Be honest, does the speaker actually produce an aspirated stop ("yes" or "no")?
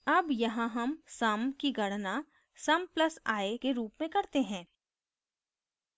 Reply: no